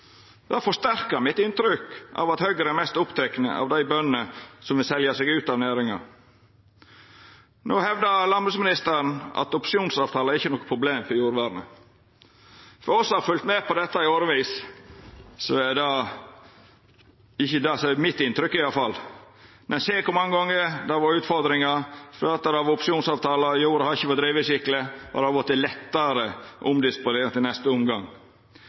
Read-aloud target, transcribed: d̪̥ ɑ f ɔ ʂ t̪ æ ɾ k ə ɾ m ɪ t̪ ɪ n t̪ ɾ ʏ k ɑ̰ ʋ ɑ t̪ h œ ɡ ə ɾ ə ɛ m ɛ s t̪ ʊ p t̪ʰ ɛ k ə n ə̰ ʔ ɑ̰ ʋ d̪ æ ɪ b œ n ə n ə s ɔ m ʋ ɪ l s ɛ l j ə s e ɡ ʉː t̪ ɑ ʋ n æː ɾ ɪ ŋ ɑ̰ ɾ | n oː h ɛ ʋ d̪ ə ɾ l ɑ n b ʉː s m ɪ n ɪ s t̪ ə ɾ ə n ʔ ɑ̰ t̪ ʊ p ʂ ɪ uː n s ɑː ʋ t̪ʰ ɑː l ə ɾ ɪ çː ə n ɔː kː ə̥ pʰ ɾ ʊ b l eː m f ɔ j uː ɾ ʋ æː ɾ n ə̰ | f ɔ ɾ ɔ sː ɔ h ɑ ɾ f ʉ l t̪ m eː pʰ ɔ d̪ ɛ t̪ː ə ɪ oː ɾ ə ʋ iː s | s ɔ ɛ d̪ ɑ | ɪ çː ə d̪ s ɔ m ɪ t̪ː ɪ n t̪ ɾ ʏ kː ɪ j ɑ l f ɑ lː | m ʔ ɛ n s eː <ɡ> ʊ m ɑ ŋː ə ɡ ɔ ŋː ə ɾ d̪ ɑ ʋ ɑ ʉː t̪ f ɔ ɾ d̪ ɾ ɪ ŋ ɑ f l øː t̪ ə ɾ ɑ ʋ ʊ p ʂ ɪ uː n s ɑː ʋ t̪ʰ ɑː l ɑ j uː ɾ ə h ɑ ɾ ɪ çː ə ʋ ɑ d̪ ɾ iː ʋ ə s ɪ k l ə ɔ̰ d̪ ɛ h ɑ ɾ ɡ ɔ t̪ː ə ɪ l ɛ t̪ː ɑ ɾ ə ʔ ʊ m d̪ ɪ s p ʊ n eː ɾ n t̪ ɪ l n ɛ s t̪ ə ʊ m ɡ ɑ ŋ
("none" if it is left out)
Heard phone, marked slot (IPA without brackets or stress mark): k